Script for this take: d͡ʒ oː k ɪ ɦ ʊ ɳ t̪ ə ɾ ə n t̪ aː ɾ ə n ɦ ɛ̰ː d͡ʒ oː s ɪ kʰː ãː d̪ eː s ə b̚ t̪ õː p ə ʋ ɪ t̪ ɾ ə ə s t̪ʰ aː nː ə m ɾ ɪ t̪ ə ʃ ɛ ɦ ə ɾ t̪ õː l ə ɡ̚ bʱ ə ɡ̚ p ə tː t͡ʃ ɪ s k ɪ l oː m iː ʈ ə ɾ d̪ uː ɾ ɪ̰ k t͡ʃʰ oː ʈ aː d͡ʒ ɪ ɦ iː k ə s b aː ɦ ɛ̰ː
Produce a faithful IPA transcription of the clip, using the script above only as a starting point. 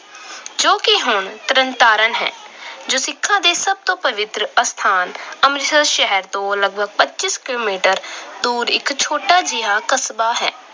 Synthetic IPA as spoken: d͡ʒ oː k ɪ ɦ ʊ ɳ t̪ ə ɾ ə n t̪ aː ɾ ə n ɦ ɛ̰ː d͡ʒ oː s ɪ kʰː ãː d̪ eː s ə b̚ t̪ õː p ə ʋ ɪ t̪ ɾ ə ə s t̪ʰ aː n ə m ɾ ɪ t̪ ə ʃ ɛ ɦ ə ɾ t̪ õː l ə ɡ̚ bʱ ə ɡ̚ p ə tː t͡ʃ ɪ s k ɪ l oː m iː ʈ ə ɾ d̪ uː ɾ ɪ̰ k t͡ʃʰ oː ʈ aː d͡ʒ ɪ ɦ aː k ə s b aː ɦ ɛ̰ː